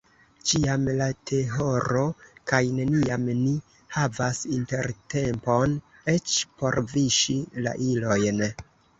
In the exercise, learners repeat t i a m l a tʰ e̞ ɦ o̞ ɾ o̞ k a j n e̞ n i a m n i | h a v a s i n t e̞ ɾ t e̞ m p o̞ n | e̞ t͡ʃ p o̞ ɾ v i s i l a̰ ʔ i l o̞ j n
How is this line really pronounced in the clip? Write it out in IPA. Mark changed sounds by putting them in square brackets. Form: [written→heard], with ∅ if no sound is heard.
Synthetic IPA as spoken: [t→t͡ʃ] i a m l a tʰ e̞ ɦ o̞ ɾ o̞ k a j n e̞ n i a m n i | h a v a s i n t e̞ ɾ t e̞ m p o̞ n | e̞ t͡ʃ p o̞ ɾ v i [s→ʃ] i l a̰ ʔ i l o̞ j n